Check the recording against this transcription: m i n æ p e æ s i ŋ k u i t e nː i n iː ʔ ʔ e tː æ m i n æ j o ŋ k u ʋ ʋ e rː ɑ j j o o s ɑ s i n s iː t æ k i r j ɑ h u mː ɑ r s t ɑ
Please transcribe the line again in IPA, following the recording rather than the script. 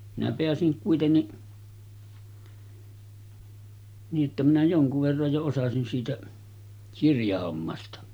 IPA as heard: m i n æ p e æ s i ŋ k u i t e nː i n iː ʔ ʔ e tː æ m i n æ j o ŋ k u ʋ ʋ e rː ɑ j j o o s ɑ s i n s iː t æ k i r j ɑ h o mː ɑ s t ɑ

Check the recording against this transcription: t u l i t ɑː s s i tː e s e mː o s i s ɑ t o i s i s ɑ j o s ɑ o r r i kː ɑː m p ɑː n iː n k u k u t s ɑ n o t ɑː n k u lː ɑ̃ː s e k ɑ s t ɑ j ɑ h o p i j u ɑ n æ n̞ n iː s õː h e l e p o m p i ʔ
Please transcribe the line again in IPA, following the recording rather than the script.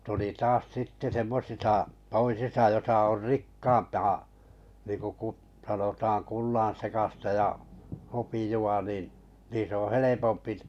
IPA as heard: t u l i t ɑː s s i tː e s e mː o s i s ɑ t o i s i s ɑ j o s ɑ o r r i kː ɑː m p ɑː n iː ŋ k u k u t s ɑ n o t ɑː n k u lː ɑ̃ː s e k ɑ s t ɑ j ɑ h o p i j u ɑ n i n̞ n iː s õː h e l e p o m p i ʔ

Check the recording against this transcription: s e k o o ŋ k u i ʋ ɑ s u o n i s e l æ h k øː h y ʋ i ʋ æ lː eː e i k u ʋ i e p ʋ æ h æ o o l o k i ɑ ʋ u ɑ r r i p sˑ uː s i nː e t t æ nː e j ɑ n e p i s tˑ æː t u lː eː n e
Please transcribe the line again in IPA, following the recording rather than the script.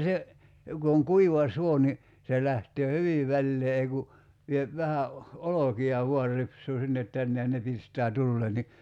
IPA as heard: s e k u o ŋ k u i ʋ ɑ s u o n i s e l æ h t øː h y ʋ i ʋ æ lː eː e i k u ʋ i e p ʋ æ h æ o o l o k i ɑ ʋ u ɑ r r i p sˑ uː s i nː e t t æ nː e j ɑ n e p i s tˑ æː t u lː eː n i

